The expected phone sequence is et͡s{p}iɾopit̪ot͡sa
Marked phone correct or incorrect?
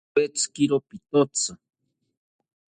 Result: incorrect